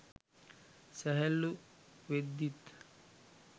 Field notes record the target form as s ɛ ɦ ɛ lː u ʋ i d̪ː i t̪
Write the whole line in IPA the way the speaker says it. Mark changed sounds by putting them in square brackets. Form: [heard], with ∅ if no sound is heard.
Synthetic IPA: s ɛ ɦ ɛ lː u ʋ [e] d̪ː i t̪